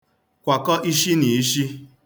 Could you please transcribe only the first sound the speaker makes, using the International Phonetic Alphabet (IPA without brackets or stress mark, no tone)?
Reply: kʷ